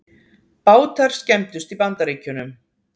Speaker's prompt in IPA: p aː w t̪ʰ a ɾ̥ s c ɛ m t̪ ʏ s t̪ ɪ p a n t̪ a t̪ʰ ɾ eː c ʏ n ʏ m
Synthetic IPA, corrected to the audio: p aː w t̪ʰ a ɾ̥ s c ɛ m t̪ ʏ s t̪ i p a n t̪ a ɾ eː c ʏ n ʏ m